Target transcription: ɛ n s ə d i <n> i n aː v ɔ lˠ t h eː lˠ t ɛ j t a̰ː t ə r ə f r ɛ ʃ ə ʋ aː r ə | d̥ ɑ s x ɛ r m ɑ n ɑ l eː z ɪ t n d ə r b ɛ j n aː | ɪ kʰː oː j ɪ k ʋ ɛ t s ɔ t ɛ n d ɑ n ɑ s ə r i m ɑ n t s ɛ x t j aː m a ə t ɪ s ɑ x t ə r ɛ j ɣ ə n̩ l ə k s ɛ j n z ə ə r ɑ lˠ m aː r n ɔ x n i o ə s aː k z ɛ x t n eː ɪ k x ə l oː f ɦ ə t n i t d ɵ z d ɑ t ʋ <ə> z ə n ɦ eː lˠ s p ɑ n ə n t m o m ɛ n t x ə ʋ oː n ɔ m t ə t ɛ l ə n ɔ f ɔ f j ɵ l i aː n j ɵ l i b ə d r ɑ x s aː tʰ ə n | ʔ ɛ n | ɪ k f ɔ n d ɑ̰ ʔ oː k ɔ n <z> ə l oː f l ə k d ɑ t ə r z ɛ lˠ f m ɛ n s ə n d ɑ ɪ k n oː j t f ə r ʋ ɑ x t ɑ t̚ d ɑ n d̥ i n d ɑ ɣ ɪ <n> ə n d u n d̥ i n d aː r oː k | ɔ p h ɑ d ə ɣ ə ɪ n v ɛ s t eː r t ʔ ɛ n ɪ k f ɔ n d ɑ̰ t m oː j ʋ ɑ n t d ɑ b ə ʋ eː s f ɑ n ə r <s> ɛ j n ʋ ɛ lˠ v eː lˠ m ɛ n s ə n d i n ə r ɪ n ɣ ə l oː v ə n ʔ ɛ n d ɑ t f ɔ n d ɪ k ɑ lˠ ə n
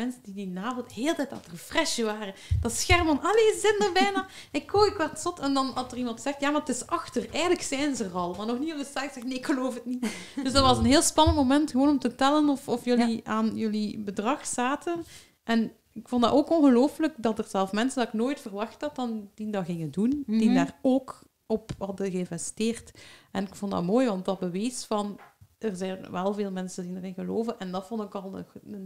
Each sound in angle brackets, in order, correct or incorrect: incorrect: d, incorrect: ɑ, incorrect: ɣ, incorrect: ŋ, incorrect: z

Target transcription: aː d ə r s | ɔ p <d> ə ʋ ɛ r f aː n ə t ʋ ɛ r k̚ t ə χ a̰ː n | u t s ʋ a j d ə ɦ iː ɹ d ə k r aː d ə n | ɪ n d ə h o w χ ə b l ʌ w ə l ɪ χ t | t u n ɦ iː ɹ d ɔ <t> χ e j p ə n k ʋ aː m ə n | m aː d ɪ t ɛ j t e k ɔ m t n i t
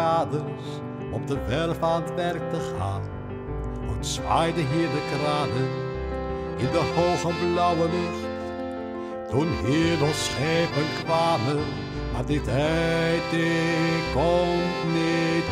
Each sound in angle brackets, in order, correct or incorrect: correct, incorrect: s

